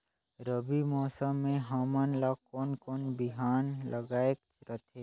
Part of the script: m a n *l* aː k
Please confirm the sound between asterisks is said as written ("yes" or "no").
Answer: yes